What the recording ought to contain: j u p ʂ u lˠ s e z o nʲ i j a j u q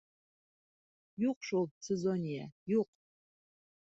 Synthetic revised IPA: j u q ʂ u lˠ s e z o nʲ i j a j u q